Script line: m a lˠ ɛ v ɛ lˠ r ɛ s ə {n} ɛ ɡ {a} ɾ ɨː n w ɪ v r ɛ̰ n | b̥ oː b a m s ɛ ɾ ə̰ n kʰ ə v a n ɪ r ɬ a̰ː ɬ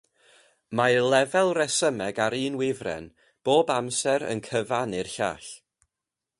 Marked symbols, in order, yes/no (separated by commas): no, yes